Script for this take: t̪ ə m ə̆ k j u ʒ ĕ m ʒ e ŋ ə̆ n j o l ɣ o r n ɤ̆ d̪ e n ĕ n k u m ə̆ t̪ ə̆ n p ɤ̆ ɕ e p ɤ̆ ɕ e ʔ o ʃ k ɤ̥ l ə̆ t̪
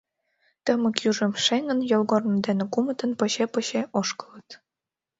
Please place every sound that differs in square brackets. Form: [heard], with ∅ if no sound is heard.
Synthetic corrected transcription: t̪ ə m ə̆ k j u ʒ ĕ m [ʃ] e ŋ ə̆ n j o l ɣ o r n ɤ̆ d̪ e n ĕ [∅] k u m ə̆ t̪ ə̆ n p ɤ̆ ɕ e p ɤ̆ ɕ e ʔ o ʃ k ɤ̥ l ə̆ t̪